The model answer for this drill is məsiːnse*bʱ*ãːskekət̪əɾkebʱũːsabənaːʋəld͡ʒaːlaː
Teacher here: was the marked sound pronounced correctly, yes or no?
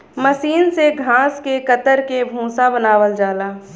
no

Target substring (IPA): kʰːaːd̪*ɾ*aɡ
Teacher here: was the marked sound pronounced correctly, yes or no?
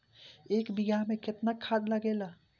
no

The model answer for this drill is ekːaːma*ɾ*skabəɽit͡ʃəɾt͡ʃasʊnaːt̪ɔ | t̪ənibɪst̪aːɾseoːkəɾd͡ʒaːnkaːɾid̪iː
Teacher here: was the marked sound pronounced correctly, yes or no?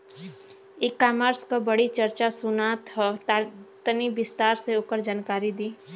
yes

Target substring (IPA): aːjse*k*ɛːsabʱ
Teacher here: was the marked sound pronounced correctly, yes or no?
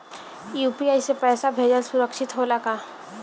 no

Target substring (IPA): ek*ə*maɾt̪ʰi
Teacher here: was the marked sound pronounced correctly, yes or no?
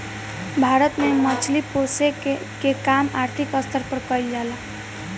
no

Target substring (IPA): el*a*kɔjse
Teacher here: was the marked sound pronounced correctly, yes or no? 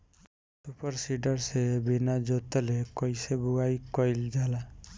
no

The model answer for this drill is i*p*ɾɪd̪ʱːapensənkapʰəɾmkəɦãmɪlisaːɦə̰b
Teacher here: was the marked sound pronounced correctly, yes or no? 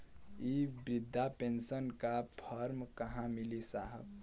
no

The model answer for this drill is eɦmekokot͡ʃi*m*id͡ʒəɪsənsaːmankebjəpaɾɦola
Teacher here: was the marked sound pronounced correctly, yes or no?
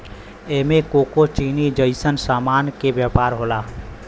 no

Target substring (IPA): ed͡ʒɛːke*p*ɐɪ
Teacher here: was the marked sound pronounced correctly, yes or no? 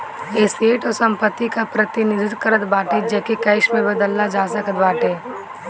no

